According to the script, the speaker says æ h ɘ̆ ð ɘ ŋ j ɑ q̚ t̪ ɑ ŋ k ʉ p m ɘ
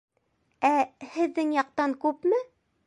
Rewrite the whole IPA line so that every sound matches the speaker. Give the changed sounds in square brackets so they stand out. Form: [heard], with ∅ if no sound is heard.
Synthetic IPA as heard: æ h ɘ̆ [ðː] ɘ ŋ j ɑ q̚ t̪ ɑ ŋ k ʉ p m ɘ